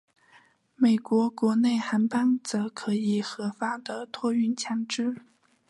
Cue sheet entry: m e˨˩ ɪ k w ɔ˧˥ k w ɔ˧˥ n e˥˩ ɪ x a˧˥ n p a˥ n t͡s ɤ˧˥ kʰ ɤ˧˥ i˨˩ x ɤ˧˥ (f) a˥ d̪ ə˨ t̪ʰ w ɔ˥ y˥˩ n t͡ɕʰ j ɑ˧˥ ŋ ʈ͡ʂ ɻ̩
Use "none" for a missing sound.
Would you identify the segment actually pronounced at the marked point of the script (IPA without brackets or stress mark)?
f